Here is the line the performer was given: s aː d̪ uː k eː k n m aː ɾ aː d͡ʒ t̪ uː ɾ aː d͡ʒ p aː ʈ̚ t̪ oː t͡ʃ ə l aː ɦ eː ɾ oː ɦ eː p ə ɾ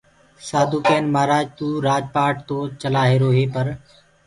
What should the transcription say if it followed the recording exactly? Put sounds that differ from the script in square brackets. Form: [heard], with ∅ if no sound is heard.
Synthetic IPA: s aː d̪ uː k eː [∅] n m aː ɾ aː d͡ʒ t̪ uː ɾ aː d͡ʒ p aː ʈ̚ t̪ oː t͡ʃ ə l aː ɦ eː ɾ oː ɦ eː p ə ɾ